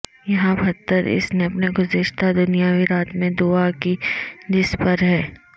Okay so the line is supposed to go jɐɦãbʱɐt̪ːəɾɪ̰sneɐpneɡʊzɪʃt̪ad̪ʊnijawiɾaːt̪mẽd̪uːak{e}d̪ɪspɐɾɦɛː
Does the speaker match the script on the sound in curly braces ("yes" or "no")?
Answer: no